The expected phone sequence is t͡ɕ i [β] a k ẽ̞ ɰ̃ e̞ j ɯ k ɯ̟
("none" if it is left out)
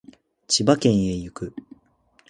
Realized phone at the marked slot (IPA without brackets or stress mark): b